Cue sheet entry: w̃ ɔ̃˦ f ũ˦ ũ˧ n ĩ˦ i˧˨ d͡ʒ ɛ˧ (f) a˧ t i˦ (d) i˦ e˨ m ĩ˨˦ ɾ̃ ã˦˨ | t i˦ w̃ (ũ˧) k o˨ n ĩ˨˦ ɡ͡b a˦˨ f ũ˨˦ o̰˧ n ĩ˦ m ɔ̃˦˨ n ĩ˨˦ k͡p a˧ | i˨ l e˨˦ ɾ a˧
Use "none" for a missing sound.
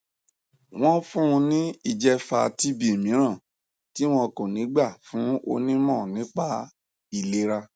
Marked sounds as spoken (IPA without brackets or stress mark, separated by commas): f, b, ɔ̃˧